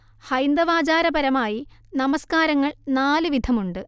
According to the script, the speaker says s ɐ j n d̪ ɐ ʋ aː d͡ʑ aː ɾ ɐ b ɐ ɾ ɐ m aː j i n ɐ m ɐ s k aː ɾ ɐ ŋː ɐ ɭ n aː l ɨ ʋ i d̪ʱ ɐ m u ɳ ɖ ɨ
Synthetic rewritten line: h ɐ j n d̪ ɐ ʋ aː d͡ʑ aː ɾ ɐ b ɐ ɾ ɐ m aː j i n ɐ m ɐ s k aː ɾ ɐ ŋː ɐ ɭ n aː l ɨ ʋ i d̪ʱ ɐ m u ɳ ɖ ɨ